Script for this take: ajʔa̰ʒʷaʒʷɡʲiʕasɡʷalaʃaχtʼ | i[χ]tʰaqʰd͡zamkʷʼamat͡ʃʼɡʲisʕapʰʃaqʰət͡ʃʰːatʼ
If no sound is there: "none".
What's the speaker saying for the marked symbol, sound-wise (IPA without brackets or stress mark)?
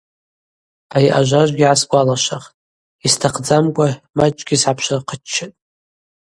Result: s